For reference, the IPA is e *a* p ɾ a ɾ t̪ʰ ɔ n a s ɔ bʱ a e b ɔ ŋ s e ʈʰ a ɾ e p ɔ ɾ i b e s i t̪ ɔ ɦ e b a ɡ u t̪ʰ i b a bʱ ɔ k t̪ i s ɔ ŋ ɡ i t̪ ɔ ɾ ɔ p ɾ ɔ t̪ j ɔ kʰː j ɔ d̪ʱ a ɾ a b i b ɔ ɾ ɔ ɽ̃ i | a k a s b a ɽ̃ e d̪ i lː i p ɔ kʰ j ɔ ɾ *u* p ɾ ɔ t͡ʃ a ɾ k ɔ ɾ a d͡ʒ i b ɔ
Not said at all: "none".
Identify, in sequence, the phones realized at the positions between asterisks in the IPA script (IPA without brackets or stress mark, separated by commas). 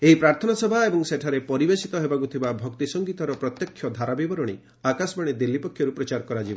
i, u